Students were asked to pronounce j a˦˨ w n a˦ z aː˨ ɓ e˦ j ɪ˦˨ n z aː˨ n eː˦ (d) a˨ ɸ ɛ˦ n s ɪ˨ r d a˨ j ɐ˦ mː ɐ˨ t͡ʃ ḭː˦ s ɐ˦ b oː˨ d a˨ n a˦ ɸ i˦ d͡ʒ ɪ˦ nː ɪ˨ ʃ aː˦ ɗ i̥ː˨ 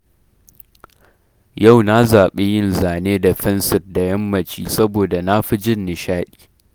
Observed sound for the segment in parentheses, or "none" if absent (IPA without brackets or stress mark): d